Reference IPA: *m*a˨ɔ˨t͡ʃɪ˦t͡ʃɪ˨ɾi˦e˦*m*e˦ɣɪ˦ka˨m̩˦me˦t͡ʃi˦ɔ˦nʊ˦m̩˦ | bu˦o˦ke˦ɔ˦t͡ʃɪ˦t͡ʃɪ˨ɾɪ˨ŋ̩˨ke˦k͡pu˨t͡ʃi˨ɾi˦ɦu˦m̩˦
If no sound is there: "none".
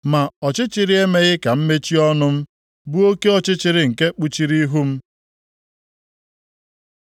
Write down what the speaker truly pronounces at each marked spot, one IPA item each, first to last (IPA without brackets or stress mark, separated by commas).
m, m